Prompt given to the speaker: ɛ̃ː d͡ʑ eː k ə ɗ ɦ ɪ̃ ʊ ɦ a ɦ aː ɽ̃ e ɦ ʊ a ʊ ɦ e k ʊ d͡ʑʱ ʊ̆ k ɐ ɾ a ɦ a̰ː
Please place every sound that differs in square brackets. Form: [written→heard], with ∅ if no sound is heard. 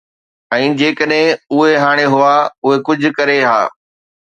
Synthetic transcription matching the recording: ɛ̃ː d͡ʑ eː k ə ɗ ɦ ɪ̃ ʊ ɦ [a→e] ɦ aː ɽ̃ e ɦ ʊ a ʊ ɦ e k ʊ d͡ʑʱ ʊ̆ k ɐ ɾ [a→e] ɦ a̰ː